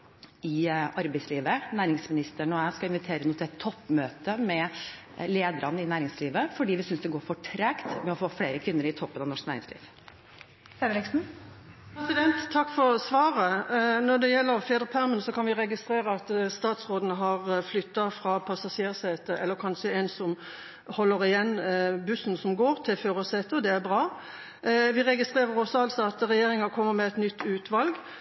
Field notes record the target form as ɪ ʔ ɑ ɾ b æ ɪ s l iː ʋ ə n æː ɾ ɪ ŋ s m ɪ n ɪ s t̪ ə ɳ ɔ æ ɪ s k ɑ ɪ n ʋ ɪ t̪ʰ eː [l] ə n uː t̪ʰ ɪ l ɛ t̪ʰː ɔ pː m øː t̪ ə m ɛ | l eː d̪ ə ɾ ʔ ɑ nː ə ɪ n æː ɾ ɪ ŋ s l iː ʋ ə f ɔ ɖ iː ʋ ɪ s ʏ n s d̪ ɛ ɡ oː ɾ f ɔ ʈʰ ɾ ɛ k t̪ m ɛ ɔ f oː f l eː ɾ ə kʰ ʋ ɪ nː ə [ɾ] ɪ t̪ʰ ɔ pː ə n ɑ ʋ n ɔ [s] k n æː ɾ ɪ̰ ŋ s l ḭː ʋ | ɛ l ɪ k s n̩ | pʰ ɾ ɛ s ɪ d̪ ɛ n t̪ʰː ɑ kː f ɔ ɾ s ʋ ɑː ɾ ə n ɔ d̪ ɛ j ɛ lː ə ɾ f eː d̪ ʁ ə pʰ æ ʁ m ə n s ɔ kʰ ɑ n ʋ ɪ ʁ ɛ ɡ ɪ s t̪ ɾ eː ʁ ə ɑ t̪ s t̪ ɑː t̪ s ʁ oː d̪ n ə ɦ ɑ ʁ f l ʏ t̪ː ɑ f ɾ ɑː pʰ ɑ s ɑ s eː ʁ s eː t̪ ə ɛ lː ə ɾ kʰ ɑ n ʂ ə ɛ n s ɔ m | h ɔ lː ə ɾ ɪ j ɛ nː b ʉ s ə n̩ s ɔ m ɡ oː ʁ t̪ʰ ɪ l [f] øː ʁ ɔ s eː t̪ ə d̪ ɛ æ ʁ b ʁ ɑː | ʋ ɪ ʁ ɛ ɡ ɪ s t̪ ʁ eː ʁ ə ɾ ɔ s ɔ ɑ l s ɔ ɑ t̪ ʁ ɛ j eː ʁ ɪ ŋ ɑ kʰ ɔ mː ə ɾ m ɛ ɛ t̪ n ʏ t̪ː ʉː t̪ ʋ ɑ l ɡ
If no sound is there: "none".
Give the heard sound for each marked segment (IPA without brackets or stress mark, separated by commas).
ɾ, ɾ, ʂ, f